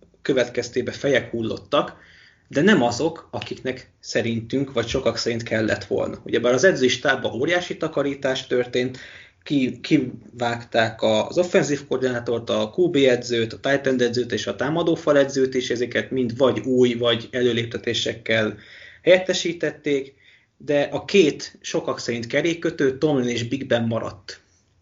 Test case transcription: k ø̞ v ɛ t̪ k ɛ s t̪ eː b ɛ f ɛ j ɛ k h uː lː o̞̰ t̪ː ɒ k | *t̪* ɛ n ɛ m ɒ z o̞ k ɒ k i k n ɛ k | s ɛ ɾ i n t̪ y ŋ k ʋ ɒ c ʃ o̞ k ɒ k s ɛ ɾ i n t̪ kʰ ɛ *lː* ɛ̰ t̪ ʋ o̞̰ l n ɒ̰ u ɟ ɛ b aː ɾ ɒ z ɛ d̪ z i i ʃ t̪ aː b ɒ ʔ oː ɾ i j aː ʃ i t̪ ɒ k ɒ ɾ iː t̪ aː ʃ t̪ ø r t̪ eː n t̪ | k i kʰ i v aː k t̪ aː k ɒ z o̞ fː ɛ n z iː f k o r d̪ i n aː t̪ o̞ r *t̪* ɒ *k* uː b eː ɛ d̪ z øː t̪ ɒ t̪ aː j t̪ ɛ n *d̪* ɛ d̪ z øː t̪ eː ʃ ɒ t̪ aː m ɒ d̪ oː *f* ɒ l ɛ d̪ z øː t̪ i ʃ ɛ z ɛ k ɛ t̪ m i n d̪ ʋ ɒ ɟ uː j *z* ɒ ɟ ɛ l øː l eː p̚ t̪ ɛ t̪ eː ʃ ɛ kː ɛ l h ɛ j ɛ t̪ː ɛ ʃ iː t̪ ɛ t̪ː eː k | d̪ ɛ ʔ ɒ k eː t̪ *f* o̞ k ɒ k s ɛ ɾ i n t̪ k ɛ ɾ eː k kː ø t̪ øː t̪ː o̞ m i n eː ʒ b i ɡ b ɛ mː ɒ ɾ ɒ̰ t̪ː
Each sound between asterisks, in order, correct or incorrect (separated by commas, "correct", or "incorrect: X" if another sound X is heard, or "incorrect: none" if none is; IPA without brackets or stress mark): incorrect: d̪, correct, correct, correct, correct, correct, incorrect: v, incorrect: ʃ